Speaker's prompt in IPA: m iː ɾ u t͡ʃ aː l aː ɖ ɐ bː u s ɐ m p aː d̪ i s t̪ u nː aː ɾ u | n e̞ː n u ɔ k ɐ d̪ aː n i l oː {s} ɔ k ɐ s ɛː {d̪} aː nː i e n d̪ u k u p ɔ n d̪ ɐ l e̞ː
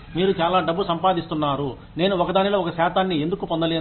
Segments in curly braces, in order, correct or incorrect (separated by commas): incorrect, incorrect